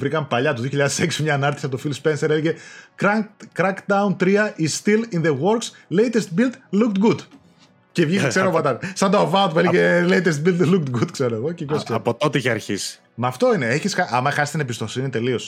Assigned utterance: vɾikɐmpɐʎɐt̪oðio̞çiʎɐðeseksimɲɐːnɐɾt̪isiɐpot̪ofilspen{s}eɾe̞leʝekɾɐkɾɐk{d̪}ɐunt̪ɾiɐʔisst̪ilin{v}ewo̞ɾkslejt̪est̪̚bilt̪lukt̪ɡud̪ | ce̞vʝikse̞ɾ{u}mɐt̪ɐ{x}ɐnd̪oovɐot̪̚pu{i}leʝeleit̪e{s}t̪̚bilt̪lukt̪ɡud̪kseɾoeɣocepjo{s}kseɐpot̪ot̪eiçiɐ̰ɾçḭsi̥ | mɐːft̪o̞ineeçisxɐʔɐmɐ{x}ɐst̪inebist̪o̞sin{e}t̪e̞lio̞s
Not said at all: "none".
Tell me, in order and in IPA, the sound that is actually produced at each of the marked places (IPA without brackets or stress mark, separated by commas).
s, d̪, ð, o, s, e, s, s, x, i